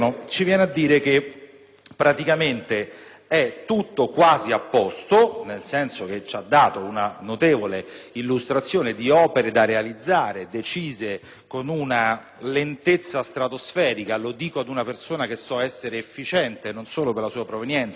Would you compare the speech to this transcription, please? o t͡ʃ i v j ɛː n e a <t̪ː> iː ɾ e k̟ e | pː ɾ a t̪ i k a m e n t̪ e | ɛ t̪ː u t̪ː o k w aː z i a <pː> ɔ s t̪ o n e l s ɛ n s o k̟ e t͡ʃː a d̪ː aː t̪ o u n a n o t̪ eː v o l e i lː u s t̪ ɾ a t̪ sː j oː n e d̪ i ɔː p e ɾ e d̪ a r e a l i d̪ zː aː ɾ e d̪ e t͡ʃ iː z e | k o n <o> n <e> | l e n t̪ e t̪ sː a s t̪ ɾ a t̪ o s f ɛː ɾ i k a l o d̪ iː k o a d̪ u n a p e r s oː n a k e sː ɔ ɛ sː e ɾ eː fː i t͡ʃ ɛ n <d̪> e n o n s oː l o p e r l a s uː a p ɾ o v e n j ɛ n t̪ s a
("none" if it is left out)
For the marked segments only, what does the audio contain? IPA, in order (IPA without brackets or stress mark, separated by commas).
d̪ː, pː, u, a, t̪